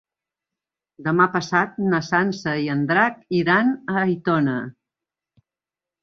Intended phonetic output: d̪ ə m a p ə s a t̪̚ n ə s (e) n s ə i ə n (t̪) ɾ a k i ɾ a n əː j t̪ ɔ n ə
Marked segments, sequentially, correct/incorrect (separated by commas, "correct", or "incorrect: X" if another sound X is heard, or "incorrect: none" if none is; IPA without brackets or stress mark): incorrect: a, incorrect: d̪